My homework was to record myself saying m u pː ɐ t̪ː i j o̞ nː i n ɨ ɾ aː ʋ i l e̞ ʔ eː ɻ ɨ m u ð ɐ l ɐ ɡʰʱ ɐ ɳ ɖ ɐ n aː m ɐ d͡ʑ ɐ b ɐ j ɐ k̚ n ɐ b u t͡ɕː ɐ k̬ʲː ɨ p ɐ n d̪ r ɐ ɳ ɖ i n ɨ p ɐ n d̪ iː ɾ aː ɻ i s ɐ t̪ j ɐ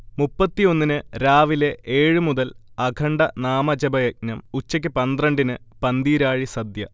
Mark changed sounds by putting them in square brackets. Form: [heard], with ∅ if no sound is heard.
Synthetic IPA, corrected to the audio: m u pː ɐ t̪ː i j o̞ nː i n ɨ ɾ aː ʋ i l e̞ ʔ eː ɻ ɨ m u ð ɐ l ɐ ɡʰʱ ɐ ɳ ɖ ɐ n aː m ɐ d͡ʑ ɐ b ɐ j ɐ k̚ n ɐ [m] u t͡ɕː ɐ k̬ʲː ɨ p ɐ n d̪ r ɐ ɳ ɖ i n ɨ p ɐ n d̪ iː ɾ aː ɻ i s ɐ [d̪] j ɐ